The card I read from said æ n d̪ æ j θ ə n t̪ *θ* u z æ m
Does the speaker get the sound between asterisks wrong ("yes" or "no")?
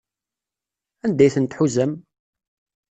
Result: yes